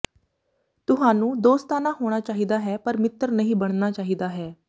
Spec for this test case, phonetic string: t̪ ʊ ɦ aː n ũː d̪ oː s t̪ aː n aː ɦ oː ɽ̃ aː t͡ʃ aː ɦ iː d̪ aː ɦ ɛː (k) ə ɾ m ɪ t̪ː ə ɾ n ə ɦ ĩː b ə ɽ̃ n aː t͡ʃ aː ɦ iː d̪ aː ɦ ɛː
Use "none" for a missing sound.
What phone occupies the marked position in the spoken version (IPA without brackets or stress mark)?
p